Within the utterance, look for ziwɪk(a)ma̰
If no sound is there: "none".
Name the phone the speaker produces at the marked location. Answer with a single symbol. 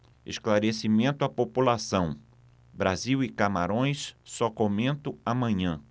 a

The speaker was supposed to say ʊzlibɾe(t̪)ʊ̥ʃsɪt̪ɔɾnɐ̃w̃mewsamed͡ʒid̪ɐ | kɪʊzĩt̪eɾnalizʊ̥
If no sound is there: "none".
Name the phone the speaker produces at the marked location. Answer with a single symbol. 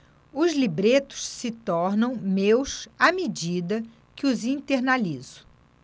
t̪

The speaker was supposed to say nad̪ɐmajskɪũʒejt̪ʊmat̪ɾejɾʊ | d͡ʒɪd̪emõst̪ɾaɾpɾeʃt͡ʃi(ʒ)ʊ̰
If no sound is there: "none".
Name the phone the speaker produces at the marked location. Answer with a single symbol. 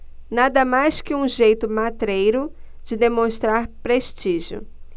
ʒ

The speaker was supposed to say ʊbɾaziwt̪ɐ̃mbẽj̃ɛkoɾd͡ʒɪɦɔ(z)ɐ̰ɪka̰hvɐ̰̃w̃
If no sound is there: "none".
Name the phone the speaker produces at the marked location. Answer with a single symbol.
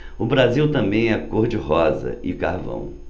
z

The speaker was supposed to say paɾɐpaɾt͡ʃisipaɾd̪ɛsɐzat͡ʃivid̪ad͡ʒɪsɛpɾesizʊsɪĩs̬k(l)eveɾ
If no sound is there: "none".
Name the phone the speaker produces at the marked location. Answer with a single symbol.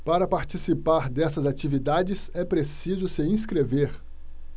ɾ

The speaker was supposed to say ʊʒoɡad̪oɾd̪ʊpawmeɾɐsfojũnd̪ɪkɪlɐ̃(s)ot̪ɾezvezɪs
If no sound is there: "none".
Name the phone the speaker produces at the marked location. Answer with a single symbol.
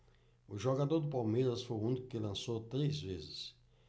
s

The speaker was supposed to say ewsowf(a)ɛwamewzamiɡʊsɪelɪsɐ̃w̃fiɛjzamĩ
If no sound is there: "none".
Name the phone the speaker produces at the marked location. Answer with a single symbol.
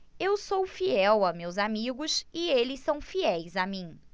i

